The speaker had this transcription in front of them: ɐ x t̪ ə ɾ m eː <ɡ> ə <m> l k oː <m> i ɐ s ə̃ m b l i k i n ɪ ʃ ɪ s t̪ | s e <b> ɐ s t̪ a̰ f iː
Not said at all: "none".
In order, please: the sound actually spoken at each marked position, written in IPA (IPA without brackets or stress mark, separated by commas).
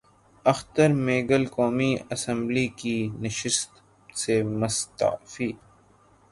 ɡ, none, m, m